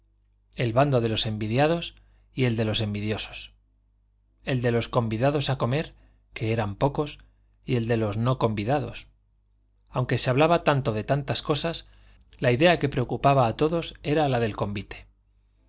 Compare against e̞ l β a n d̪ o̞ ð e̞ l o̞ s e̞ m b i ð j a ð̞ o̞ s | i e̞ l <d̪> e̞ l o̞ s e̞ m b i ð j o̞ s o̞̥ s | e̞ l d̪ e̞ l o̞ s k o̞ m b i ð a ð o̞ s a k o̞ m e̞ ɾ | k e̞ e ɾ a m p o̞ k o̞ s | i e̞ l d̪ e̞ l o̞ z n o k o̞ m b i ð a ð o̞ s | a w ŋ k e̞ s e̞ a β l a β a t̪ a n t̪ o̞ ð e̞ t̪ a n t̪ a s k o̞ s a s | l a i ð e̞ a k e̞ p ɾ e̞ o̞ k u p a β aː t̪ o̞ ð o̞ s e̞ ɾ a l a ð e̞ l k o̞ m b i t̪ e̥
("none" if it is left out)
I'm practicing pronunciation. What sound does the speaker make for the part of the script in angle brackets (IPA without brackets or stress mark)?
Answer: d̪